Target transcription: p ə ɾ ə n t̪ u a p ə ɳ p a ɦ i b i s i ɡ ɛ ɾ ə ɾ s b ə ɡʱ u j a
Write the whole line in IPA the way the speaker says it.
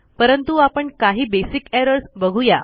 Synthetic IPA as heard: p ə ɾ ə n t̪ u a p ə ɳ k a ɦ iː b e s i k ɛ ɾ ə ɾ s b ə ɡʱ u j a